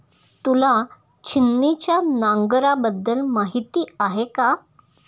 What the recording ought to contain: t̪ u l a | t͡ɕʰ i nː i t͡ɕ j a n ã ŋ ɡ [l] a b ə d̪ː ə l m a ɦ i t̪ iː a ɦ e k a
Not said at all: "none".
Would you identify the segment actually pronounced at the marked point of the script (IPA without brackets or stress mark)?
ɾ